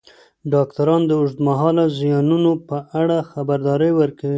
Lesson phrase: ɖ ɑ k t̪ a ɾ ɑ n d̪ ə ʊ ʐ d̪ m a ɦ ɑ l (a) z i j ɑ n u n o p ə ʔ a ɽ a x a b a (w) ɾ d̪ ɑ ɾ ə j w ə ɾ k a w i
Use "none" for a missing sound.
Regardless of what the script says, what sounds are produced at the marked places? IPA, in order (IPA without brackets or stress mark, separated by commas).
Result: a, none